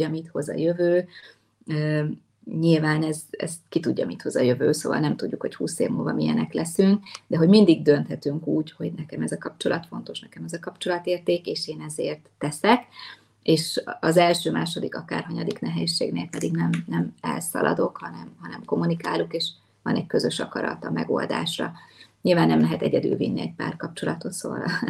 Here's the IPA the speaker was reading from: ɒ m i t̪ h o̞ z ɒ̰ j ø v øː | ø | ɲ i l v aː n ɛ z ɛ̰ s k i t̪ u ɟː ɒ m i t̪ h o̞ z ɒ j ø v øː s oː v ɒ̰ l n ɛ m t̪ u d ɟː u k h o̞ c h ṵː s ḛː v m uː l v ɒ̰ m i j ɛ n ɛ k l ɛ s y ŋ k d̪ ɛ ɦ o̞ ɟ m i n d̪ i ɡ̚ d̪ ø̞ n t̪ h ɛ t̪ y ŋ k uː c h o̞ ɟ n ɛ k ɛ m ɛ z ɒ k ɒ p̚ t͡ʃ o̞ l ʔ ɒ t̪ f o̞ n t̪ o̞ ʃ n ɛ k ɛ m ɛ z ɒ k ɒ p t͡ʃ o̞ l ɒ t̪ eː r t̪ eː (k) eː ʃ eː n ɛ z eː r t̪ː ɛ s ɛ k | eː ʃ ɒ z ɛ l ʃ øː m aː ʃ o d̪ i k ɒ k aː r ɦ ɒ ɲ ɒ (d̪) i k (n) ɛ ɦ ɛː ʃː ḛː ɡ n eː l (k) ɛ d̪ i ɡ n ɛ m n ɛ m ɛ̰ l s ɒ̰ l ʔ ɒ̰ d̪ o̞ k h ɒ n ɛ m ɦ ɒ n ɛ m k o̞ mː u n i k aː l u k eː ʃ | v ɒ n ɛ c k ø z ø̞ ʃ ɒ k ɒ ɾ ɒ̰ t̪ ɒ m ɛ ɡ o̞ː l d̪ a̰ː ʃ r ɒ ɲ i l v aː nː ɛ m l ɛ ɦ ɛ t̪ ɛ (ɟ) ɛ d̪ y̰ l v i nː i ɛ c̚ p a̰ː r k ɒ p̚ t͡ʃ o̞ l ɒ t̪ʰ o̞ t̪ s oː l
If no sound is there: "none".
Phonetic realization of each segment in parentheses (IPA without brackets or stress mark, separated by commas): k, d̪, n, p, ɟ